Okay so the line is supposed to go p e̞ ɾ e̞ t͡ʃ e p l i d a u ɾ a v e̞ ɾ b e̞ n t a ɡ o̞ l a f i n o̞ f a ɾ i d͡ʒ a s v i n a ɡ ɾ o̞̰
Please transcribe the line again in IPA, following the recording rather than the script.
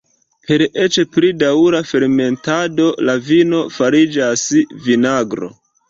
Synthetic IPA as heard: p e̞ ɾ e̞ t͡ʃ e p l i d a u ɾ a f e̞ ɾ m e̞ n t a d o̞ l a v i n o̞ f a ɾ i d͡ʒ a s v i n a ɡ ɾ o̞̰